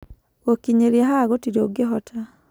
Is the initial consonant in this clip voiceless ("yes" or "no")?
yes